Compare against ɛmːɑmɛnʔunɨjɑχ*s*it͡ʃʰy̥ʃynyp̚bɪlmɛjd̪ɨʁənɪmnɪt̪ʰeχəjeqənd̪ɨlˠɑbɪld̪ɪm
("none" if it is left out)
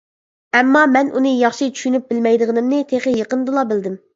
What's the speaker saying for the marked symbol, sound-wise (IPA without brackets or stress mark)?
ʃ